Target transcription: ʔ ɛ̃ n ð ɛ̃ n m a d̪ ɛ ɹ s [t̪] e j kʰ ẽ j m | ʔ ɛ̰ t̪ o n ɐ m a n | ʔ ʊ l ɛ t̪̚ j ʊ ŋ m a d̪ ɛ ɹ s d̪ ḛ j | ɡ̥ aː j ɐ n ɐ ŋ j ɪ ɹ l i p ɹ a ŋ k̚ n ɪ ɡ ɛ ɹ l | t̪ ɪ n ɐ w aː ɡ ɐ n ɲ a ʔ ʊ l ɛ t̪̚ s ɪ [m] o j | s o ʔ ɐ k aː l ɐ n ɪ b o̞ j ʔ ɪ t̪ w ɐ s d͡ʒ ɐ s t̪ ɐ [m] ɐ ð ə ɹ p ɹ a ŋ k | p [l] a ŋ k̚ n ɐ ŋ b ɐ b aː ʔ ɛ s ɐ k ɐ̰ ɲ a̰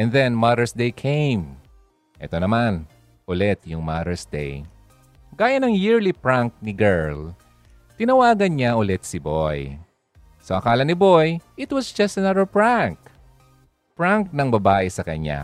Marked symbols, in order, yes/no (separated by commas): no, no, no, no